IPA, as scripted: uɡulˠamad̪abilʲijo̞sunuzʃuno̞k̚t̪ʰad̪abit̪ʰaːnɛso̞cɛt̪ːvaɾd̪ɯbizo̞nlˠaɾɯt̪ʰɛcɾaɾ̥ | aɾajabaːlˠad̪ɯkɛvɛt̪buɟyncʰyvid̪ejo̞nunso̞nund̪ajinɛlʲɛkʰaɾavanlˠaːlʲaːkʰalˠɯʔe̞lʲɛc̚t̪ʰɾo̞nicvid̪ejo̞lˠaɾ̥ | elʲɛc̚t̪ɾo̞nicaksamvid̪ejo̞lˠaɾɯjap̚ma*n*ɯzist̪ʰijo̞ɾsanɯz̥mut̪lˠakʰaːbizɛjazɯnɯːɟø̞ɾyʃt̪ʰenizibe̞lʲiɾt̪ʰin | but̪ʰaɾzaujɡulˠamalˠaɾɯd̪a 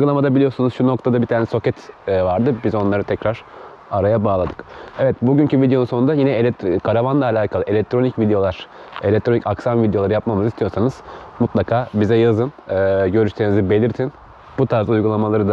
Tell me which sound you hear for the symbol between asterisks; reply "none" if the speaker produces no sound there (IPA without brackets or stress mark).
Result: m